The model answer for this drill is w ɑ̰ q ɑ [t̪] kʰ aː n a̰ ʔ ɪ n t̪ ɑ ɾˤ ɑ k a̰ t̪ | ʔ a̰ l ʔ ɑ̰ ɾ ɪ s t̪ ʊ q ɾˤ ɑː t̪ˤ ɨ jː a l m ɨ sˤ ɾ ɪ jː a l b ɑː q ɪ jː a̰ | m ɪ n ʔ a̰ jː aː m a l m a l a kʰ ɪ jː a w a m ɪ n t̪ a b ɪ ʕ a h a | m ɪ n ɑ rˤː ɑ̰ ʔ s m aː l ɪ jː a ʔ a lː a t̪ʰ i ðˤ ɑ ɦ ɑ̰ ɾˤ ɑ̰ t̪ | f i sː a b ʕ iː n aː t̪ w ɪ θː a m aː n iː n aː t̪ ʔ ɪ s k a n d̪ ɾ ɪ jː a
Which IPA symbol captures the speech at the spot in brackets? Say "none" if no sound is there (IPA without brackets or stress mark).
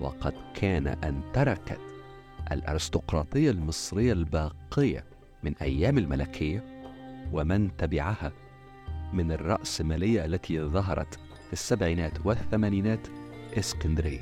d̪